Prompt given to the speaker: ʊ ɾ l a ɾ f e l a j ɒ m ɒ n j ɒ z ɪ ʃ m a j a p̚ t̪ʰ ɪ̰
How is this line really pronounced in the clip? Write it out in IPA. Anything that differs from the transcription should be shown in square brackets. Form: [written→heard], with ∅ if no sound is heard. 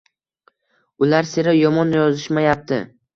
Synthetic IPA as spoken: ʊ [ɾ→∅] l a ɾ [f→s] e [l→ɾ] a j ɒ m ɒ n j ɒ z ɪ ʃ m a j a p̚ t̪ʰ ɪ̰